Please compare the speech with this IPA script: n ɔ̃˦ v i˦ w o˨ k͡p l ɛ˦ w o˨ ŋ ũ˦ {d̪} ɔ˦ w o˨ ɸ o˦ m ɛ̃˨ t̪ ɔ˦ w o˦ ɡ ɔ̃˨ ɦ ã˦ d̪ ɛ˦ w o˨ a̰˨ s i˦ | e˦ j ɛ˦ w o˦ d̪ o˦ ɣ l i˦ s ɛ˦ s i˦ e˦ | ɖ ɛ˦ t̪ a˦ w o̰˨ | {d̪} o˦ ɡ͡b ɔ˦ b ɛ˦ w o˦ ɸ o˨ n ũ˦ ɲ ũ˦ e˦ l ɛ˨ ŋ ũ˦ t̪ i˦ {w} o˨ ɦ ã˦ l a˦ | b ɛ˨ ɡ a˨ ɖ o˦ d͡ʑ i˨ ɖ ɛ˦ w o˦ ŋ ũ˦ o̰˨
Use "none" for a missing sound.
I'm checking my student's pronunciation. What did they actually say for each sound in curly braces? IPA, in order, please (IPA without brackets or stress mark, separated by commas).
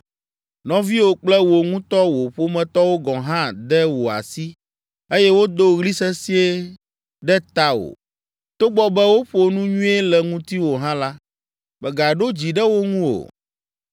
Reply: t̪, t̪, w